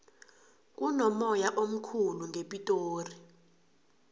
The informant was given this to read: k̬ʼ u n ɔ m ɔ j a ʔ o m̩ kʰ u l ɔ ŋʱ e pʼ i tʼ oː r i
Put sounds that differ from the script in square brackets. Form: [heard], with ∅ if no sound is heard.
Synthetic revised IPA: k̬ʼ u n ɔ m ɔ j a ʔ o m̩ kʰ u l [u] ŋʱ e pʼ i tʼ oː r i